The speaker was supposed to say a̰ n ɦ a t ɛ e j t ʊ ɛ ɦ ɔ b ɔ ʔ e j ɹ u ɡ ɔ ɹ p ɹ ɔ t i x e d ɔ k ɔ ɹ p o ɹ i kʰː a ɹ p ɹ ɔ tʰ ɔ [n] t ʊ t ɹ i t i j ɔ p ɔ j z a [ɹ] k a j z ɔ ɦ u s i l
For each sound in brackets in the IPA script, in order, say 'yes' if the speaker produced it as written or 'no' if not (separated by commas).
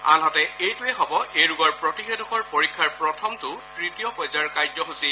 no, yes